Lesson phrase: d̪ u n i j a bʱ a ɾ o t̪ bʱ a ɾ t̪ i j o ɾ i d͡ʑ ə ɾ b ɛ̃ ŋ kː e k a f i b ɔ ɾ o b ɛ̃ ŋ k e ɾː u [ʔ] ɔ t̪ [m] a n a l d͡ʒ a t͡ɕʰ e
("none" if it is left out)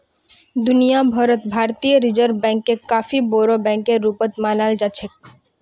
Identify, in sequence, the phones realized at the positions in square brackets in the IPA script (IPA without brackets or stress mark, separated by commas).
p, m